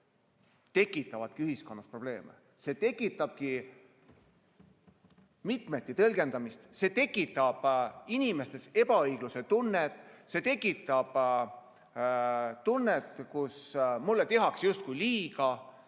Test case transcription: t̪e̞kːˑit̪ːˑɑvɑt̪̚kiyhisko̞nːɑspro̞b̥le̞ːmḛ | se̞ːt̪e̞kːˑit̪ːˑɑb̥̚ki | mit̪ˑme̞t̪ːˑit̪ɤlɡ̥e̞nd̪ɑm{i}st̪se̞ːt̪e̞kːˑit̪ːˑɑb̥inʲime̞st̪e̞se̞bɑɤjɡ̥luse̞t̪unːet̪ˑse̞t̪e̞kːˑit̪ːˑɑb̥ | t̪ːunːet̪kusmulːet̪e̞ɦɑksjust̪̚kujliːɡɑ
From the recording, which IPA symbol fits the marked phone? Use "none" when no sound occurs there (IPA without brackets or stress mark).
i